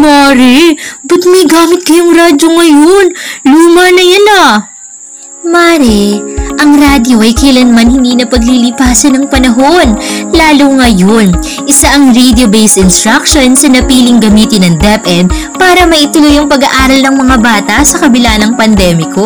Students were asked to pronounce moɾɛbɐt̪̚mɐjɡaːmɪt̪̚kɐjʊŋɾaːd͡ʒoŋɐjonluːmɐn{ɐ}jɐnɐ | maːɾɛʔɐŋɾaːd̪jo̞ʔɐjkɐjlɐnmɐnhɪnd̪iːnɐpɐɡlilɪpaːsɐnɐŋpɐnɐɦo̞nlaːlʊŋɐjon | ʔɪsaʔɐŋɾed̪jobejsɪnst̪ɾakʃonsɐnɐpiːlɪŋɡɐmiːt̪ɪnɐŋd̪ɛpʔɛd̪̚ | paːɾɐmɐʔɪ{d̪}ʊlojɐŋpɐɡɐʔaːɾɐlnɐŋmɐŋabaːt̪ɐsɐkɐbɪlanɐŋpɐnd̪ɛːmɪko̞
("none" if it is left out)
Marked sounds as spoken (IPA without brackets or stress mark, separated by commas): ɐ, t̪